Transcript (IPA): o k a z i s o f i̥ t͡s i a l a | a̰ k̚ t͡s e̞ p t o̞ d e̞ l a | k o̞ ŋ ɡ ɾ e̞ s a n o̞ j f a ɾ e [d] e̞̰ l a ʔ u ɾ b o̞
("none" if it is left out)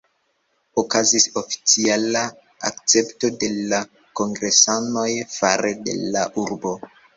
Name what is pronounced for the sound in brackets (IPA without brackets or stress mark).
d